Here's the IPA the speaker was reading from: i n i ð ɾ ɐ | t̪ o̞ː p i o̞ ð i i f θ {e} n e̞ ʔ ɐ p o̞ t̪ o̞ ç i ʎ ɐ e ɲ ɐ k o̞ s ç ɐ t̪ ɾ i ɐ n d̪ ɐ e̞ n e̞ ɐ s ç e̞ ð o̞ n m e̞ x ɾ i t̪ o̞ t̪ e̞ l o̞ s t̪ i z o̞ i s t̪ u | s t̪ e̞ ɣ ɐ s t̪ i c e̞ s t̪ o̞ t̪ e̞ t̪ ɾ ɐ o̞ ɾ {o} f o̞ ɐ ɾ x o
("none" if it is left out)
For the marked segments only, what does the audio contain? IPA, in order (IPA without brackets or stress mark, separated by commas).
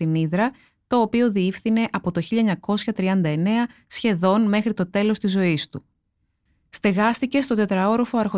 i, o